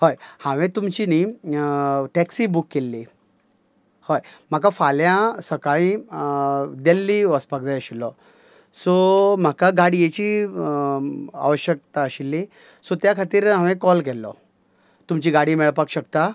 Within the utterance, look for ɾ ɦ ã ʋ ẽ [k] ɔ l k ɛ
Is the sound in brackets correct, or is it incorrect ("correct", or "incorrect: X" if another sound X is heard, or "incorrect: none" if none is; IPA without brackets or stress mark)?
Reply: correct